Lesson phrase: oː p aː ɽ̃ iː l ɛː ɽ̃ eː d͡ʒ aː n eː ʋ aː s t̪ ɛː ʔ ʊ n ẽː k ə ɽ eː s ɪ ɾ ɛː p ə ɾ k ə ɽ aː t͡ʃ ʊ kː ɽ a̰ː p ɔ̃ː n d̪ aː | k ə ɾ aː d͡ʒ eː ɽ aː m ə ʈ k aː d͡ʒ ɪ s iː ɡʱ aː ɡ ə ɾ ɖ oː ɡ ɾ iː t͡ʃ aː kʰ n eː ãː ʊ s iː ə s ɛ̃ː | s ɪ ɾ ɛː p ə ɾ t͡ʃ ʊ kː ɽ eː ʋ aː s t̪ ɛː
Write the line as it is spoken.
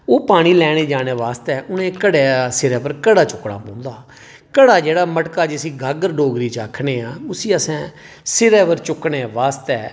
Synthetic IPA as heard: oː p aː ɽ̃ iː l ɛː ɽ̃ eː d͡ʒ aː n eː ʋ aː s t̪ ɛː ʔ ʊ n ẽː k ə ɽ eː s ɪ ɾ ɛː p ə ɾ k ə ɽ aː t͡ʃ ʊ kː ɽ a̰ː p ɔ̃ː n d̪ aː | k ə ɽ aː d͡ʒ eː ɽ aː m ə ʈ k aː d͡ʒ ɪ s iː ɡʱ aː ɡ ə ɾ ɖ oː ɡ ɾ iː t͡ʃ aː kʰ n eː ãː ʊ s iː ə s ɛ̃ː | s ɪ ɾ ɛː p ə ɾ t͡ʃ ʊ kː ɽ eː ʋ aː s t̪ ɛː